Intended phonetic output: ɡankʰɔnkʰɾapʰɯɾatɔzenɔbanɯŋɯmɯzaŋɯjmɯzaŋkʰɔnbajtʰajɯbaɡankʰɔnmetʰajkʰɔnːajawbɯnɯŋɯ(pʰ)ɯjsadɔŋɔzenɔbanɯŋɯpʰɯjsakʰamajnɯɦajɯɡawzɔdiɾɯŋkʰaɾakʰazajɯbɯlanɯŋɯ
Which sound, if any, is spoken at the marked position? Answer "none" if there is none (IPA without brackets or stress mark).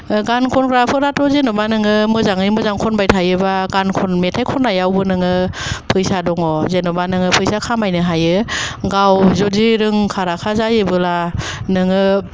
pʰ